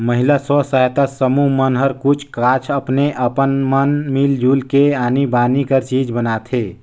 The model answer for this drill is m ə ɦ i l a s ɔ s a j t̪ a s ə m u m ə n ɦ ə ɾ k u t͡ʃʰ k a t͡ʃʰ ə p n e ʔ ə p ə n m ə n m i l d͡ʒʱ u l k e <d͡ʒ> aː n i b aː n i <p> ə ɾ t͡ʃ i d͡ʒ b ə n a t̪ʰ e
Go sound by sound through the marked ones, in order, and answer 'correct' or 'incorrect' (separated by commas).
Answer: incorrect, incorrect